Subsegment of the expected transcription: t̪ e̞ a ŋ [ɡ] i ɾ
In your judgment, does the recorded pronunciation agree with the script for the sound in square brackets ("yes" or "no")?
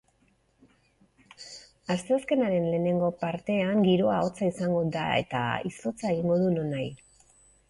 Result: yes